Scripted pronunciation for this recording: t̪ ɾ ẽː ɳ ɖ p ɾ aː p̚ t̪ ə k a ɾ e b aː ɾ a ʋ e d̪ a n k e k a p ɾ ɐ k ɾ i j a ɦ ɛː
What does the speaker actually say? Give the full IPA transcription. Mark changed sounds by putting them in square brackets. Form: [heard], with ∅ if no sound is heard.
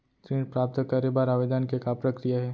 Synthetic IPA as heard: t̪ ɾ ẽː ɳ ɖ p ɾ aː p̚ t̪ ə k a ɾ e b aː ɾ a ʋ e d̪ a n k e k a p ɾ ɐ k ɾ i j a ɦ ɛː

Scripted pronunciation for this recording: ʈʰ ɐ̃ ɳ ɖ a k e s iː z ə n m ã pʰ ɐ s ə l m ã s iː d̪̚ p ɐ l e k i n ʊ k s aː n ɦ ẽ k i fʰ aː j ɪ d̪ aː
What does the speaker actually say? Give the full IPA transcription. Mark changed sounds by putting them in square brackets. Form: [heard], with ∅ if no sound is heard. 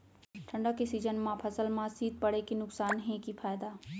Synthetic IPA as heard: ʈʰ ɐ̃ ɳ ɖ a k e s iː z ə n m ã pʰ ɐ s ə l m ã s iː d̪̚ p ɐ [ɽ] e k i n ʊ k s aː n ɦ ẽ k i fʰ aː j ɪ d̪ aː

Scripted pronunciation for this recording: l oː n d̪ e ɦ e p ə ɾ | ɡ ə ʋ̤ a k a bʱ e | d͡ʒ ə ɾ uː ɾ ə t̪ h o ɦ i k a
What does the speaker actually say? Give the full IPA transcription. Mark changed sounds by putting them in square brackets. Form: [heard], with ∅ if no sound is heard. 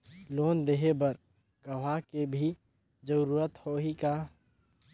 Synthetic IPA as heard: l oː n d̪ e ɦ e [b] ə ɾ | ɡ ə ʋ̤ a k [e] bʱ [i] | d͡ʒ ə ɾ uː ɾ ə t̪ h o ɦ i k a

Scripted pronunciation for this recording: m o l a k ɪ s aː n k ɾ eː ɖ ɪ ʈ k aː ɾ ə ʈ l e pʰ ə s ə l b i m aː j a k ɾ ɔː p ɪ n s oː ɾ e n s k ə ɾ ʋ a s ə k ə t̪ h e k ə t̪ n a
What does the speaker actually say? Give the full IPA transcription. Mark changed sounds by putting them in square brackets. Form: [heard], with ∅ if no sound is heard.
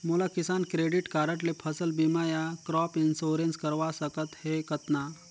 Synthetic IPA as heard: m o l a k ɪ s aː n k ɾ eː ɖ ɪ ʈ k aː ɾ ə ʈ l e pʰ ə s ə l b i m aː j a k ɾ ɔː p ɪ n s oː ɾ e n s k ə ɾ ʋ a s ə k ə t̪ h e k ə t̪ n a

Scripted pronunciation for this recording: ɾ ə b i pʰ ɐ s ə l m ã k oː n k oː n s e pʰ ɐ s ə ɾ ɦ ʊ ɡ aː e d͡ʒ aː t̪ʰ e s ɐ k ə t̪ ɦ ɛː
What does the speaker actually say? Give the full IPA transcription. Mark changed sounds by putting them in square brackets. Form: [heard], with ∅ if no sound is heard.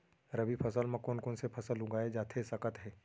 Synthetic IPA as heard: ɾ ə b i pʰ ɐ s ə l m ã k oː n k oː n s e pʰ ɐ s ə [l] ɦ ʊ ɡ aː e d͡ʒ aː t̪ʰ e s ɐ k ə t̪ ɦ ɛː

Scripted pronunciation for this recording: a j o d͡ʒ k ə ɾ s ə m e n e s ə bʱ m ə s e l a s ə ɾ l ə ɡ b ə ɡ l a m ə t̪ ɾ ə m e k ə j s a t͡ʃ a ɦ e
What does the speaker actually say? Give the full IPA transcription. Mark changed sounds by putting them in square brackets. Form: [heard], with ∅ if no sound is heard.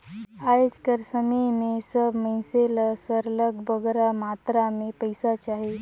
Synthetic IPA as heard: a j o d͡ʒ k ə ɾ s ə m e n e s ə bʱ m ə s e l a s ə ɾ l ə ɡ b ə ɡ [ɾ] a m [a] t̪ ɾ [a] m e [p] ə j s a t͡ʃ a ɦ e

